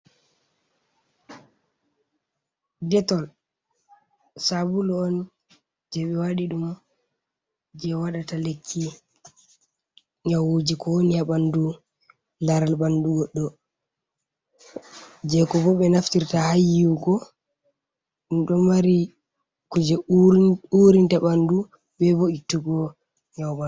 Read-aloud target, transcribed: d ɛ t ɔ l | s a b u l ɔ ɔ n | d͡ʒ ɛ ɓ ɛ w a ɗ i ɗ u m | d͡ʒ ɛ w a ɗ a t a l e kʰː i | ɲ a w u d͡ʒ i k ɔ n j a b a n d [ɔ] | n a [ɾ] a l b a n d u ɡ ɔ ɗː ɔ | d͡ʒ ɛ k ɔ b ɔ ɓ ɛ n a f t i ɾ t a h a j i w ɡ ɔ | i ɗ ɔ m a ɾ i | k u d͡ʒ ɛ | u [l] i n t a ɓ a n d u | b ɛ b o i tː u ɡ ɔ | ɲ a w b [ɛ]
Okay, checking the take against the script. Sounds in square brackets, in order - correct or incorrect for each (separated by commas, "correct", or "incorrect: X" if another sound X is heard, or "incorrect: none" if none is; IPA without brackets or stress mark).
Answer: incorrect: u, correct, incorrect: ɾ, incorrect: a